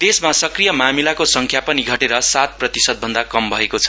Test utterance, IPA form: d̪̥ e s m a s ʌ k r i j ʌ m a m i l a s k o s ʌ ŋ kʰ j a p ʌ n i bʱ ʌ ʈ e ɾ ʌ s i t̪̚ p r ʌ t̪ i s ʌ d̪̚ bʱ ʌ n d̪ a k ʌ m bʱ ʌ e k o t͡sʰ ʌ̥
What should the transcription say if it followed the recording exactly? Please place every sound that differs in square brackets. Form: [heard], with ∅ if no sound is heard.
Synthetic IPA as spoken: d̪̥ e s m a s ʌ k r i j ʌ m a m i l a [∅] k o s ʌ ŋ kʰ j a p ʌ n i [ɡʱ] ʌ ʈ e ɾ ʌ s [a] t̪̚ p r ʌ t̪ i s ʌ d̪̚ bʱ ʌ n d̪ a k ʌ m bʱ ʌ e k o t͡sʰ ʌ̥

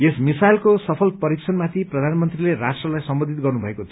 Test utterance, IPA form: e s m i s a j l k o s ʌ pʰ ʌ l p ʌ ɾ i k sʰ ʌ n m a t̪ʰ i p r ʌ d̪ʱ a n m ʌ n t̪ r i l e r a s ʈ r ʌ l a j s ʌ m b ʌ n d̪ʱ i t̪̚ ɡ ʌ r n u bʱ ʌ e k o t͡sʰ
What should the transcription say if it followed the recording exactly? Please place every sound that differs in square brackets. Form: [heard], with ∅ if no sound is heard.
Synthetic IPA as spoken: e s m i s a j l k o s ʌ pʰ ʌ l p ʌ ɾ i k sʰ ʌ n m a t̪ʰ i p r ʌ d̪ʱ a n m ʌ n t̪ r i l e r a s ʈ r ʌ l a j s ʌ m b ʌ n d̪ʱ i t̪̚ ɡ ʌ r n u bʱ ʌ e k o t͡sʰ

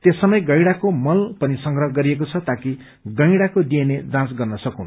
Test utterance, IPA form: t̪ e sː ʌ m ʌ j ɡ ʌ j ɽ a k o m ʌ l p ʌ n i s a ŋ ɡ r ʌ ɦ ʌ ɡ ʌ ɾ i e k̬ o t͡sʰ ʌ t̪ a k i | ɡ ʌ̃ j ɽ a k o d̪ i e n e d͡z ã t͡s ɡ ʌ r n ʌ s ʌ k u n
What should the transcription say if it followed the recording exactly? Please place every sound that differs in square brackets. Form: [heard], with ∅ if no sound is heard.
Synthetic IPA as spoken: t̪ e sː ʌ m ʌ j ɡ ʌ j ɽ a k o m ʌ l p ʌ n i s [ʌ] ŋ ɡ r ʌ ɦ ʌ ɡ ʌ ɾ i e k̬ o t͡sʰ ʌ t̪ a k i | ɡ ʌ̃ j ɽ a k o d̪ i e n e d͡z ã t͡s ɡ ʌ r n ʌ s ʌ k u n

